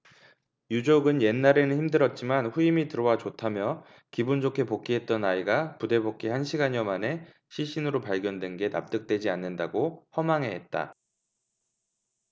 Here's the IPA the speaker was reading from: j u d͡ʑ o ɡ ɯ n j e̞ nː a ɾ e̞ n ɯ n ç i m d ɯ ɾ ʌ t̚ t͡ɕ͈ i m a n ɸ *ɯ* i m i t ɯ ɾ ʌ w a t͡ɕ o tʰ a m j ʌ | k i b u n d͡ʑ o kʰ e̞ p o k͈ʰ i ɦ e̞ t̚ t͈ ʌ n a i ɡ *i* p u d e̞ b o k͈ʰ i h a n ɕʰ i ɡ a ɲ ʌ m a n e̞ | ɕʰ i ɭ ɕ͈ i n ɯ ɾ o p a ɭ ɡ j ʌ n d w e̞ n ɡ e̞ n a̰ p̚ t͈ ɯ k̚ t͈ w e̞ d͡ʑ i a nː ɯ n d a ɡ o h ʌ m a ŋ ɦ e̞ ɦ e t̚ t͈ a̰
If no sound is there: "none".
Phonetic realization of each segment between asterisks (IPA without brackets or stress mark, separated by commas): u, a